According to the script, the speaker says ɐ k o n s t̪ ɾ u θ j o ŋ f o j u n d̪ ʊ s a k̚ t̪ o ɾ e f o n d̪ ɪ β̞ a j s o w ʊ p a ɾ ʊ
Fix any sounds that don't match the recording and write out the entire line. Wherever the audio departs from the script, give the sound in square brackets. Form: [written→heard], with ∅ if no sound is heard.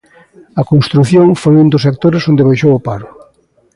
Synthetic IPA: ɐ k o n s t̪ ɾ u θ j o ŋ f o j u n d̪ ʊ s [a→e] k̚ t̪ o ɾ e [f→s] o n d̪ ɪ β̞ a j [s→ʃ] o w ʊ p a ɾ ʊ